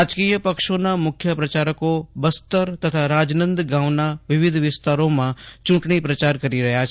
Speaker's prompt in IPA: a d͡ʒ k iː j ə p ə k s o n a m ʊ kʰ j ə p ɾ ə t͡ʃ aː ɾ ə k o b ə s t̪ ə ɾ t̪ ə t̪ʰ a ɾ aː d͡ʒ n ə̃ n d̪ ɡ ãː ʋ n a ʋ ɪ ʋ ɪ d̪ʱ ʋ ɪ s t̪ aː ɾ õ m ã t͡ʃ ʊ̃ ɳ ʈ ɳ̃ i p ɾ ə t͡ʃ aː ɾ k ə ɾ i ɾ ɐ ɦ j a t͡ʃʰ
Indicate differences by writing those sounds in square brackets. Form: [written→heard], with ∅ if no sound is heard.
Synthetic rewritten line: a d͡ʒ k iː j ə p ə k [s→ʃ] o n a m ʊ kʰ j ə p ɾ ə t͡ʃ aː ɾ ə k o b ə s t̪ ə ɾ t̪ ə t̪ʰ a ɾ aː d͡ʒ n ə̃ n d̪ ɡ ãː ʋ n a ʋ ɪ ʋ ɪ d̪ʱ ʋ ɪ s t̪ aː ɾ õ m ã t͡ʃ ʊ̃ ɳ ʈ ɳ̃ i p ɾ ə t͡ʃ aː ɾ k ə ɾ i ɾ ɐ ɦ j a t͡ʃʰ